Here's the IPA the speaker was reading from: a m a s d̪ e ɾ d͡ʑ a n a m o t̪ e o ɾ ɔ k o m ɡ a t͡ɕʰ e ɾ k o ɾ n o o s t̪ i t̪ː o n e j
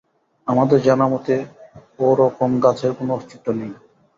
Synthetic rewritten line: a m a d̪ e ɾ d͡ʑ a n a m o t̪ e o ɾ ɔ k o m ɡ a t͡ɕʰ e ɾ k o n o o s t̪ i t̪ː o n e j